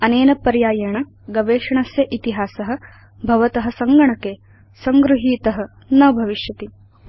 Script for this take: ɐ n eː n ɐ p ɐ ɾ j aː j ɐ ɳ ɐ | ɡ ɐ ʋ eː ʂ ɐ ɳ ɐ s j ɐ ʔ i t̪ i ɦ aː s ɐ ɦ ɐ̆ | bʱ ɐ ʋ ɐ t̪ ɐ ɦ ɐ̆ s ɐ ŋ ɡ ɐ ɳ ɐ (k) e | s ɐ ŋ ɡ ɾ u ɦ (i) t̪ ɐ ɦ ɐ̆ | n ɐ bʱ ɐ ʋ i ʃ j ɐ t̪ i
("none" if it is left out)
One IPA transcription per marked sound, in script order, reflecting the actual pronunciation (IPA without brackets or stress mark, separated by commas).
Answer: k, iː